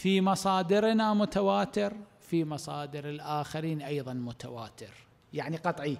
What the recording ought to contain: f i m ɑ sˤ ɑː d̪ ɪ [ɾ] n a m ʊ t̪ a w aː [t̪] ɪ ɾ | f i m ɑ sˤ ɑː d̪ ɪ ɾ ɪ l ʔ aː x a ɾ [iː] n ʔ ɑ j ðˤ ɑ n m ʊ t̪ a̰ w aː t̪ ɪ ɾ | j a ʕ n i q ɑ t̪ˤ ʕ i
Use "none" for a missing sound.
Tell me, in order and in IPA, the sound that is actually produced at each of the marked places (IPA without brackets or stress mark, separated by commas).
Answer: ɾ, t̪, iː